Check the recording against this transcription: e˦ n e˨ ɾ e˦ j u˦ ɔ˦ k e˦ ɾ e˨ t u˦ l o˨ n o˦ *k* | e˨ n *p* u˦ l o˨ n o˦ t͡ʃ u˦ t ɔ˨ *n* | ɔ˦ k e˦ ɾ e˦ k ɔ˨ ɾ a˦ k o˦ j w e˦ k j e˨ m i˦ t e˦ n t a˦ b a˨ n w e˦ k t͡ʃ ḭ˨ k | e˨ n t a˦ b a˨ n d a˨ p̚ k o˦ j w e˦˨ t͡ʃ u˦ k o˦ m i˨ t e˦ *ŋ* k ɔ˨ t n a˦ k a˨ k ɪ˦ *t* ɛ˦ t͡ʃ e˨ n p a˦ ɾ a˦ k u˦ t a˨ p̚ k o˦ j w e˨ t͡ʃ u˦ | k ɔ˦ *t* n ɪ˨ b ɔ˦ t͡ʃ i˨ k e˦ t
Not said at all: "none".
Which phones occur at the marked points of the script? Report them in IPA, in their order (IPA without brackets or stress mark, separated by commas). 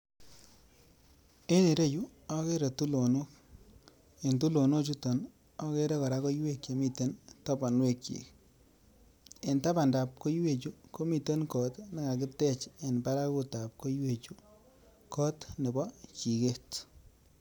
k, t, n, n, t, t